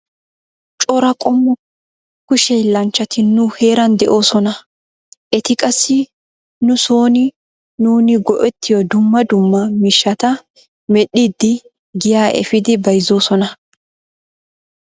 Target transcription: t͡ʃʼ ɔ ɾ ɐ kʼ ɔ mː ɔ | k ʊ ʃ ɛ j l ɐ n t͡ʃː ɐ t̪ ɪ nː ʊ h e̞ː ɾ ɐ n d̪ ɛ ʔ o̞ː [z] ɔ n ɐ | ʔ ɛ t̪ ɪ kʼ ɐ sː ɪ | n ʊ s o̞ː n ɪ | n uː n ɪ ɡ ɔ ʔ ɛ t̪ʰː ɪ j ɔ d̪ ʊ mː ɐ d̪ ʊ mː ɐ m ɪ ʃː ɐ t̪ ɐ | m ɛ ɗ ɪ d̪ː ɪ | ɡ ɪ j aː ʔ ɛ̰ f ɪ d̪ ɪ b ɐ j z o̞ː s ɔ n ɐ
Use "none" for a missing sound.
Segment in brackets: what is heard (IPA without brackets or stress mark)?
s